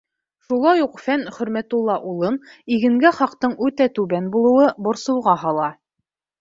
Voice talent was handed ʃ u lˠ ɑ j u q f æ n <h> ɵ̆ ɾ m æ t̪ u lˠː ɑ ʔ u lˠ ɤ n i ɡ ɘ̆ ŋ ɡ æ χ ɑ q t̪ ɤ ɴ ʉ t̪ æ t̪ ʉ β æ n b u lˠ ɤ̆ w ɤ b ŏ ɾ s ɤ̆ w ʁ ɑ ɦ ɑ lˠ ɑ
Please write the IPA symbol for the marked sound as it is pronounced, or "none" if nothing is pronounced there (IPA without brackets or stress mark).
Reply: χ